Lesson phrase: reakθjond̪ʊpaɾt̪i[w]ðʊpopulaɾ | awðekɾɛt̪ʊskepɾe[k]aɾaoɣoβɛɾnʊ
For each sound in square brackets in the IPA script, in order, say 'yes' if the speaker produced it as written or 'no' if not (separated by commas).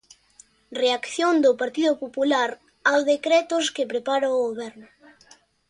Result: no, no